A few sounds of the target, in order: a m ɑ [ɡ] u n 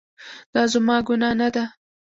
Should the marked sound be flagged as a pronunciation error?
no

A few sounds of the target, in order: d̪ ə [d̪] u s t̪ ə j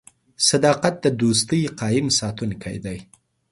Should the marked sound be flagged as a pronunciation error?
no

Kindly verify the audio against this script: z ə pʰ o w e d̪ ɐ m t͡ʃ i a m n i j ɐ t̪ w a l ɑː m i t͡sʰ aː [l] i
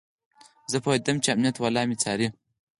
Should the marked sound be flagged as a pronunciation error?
yes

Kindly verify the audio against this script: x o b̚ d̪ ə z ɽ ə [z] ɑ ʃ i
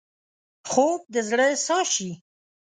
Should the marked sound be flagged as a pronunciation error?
yes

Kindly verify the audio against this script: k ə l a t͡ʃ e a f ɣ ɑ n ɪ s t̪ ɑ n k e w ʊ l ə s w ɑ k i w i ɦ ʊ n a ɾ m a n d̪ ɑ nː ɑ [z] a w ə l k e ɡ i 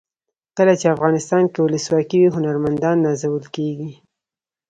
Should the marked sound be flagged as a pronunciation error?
no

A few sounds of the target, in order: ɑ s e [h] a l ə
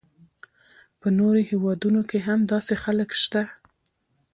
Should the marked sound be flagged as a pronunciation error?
yes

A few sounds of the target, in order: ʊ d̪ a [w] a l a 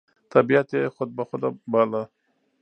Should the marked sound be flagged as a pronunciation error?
yes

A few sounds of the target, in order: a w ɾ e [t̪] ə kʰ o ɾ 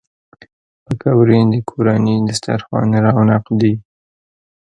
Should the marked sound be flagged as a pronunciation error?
yes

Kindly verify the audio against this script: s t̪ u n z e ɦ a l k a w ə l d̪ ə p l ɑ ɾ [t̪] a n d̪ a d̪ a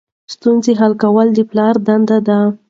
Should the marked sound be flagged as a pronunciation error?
yes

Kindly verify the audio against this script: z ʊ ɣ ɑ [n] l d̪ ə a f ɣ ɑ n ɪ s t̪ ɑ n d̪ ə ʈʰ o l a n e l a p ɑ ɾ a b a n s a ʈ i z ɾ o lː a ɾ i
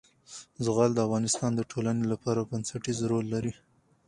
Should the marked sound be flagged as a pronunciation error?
yes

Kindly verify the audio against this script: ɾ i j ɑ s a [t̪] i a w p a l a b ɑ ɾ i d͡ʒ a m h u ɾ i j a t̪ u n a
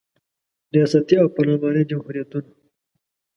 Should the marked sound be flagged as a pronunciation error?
no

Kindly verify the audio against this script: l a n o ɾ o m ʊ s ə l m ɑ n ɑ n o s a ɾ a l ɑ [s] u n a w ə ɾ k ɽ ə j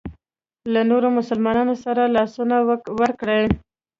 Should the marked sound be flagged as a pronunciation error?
no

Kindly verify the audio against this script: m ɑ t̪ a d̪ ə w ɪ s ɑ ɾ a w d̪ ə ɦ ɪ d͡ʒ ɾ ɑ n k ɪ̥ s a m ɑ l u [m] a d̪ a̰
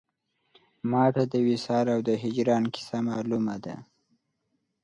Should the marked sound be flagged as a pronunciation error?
no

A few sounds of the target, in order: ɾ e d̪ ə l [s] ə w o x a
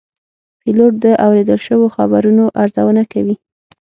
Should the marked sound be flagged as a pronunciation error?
yes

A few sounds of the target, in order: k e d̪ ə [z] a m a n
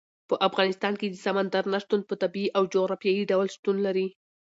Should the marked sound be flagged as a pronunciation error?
yes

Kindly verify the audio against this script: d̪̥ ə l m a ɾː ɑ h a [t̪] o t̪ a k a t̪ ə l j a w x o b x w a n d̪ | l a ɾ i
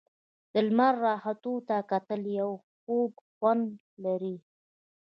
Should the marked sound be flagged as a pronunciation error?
no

